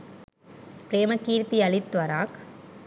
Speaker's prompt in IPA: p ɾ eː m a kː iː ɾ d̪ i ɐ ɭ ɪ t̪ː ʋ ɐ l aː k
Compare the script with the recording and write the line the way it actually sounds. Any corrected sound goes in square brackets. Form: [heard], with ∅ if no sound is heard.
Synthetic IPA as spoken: p ɾ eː m [ɐ] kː iː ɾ [t̪] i ɐ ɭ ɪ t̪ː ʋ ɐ [ɾ] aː k